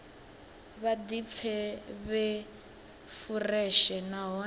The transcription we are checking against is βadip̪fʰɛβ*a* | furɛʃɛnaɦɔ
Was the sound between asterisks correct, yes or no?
no